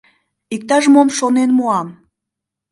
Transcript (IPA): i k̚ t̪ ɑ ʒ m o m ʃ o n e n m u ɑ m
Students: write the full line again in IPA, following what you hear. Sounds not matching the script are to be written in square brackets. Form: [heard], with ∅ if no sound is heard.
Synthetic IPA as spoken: i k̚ t̪ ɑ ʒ m o m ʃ o n e n m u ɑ m